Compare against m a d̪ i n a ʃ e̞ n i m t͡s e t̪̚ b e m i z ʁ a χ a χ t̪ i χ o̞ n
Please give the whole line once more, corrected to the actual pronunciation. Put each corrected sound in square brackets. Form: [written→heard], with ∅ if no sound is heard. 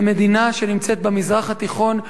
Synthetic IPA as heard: m [a→e] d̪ i n a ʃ e̞ n i m t͡s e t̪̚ b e m i z ʁ a χ a [χ→∅] t̪ i χ o̞ n